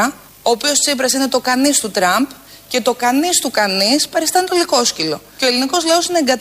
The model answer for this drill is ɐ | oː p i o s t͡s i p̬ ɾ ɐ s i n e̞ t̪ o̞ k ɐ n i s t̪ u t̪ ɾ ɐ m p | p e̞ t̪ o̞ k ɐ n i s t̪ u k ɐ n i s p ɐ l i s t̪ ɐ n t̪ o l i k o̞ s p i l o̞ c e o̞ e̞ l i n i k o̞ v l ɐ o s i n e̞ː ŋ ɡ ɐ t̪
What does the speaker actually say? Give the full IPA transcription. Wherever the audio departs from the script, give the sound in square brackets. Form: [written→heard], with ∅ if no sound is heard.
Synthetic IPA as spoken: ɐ | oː p i o s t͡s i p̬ ɾ ɐ s i n e̞ t̪ o̞ k ɐ n i s t̪ u t̪ ɾ ɐ m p | [p→c] e̞ t̪ o̞ k ɐ n i s t̪ u k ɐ n i s p ɐ [l→ɾ] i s t̪ ɐ n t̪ o l i k o̞ s [p→c] i l o̞ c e o̞ e̞ l i n i k o̞ [v→z] l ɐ o s i n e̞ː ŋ ɡ ɐ t̪